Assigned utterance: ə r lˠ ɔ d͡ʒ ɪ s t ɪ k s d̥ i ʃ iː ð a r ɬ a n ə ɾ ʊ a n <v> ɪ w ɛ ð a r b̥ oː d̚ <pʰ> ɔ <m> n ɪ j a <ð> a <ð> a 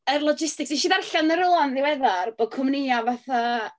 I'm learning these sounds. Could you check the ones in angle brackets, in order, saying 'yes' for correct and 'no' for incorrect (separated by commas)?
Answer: no, no, yes, no, no